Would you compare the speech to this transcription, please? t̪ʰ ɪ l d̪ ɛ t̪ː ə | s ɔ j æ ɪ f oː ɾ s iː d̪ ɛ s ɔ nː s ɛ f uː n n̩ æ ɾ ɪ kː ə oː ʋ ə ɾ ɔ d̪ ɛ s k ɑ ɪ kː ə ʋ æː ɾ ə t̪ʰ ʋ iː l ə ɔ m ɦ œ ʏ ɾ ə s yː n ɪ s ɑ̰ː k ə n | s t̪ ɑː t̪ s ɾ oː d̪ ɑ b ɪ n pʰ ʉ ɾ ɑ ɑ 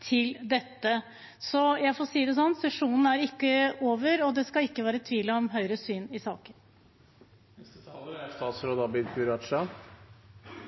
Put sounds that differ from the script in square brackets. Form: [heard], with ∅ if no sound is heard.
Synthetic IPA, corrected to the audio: t̪ʰ ɪ l d̪ ɛ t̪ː ə | s ɔ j æ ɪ f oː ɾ s iː d̪ ɛ s ɔ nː s ɛ [ʂ] uː n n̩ æ ɾ ɪ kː ə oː ʋ ə ɾ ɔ d̪ ɛ s k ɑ ɪ kː ə ʋ æː ɾ ə t̪ʰ ʋ iː l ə ɔ m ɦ œ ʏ ɾ ə s yː n ɪ s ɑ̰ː k ə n | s t̪ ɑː t̪ s ɾ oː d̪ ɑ b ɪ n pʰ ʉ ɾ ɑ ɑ